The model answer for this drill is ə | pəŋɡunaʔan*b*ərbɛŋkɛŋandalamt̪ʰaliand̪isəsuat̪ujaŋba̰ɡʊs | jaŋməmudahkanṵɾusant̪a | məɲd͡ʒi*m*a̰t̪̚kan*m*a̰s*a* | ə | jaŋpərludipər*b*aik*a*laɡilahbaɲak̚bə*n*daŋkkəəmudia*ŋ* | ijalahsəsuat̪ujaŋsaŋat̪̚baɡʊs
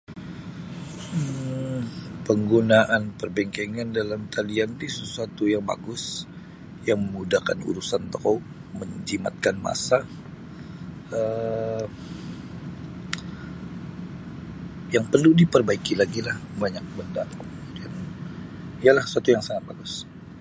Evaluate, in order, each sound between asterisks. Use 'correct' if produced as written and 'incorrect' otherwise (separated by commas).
incorrect, correct, correct, correct, correct, incorrect, correct, incorrect